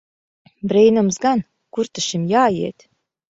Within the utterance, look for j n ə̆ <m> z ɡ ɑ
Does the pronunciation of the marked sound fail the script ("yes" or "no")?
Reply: no